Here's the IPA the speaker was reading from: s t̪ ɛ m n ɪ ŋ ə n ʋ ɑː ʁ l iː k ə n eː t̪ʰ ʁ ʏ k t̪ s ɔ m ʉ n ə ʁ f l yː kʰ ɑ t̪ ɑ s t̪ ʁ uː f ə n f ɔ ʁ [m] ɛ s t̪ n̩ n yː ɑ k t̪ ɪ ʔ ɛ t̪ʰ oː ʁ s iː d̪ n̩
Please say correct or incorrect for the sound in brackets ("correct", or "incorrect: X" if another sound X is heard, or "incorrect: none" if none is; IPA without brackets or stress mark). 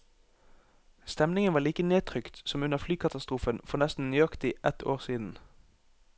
incorrect: n